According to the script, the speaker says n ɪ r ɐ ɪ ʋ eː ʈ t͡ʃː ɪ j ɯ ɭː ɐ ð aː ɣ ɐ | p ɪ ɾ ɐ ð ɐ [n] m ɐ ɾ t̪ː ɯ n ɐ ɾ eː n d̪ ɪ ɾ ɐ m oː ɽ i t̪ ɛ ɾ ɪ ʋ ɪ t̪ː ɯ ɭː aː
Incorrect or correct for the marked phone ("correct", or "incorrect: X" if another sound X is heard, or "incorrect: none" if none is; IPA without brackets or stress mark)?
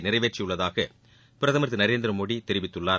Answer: incorrect: none